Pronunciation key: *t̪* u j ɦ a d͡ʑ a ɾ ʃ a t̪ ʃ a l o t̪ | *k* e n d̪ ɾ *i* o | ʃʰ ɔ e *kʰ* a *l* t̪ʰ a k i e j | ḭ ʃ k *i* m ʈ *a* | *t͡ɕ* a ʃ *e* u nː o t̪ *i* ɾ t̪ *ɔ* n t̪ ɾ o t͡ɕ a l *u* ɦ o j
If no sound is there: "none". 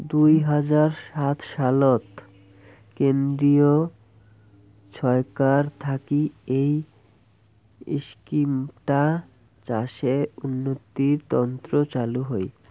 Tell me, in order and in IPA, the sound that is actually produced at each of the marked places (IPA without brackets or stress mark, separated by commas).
d̪, k, i, k, ɾ, i, a, t͡ɕ, e, i, ɔ, u